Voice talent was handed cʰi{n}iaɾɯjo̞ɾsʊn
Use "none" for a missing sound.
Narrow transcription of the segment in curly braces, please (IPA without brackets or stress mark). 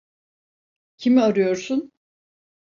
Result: m